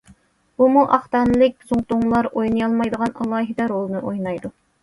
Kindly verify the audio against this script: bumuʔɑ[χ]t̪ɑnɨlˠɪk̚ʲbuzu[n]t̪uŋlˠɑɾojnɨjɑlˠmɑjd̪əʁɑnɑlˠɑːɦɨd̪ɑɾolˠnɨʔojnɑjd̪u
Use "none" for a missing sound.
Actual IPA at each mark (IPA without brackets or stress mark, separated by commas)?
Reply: χ, ŋ